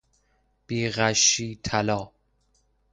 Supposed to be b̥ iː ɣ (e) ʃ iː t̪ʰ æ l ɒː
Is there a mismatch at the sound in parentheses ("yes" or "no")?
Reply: yes